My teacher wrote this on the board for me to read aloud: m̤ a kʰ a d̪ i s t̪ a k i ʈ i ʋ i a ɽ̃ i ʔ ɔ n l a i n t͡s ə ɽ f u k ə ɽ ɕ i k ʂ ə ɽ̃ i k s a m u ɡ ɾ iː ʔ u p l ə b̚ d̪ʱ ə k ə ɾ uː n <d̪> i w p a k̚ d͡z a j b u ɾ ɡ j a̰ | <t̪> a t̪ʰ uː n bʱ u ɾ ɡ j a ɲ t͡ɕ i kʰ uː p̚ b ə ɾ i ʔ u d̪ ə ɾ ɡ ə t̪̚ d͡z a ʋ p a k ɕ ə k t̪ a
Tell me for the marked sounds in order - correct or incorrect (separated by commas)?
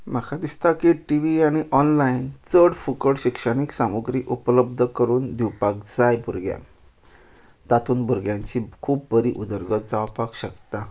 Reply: correct, correct